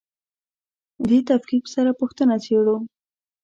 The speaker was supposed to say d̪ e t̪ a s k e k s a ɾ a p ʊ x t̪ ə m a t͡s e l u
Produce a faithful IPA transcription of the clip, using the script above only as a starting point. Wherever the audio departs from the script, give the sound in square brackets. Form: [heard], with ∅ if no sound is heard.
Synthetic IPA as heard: d̪ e t̪ a [f] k [i] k s a ɾ a p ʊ x t̪ ə [n] a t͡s e [ɽ] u